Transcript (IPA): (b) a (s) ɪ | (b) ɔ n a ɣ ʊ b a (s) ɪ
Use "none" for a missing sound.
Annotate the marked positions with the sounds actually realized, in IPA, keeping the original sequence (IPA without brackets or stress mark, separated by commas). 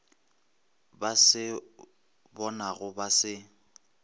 b, s, b, s